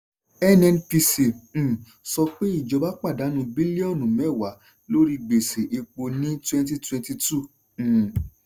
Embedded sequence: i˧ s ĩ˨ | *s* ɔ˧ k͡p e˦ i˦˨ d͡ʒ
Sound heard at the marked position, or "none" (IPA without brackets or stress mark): s